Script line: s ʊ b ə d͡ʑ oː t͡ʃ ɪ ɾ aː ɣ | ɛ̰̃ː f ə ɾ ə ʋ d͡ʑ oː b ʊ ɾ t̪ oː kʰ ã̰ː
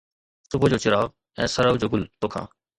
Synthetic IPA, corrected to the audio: s ʊ b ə d͡ʑ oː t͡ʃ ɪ ɾ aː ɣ | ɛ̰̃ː s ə ɾ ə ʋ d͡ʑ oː ɡ ʊ l t̪ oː kʰ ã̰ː